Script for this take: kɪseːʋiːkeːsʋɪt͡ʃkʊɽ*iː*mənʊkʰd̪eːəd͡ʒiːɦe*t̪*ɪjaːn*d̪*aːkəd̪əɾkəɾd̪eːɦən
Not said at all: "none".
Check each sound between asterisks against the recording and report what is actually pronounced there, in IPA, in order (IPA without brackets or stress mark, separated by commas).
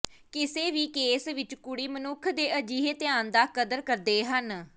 iː, t̪, d̪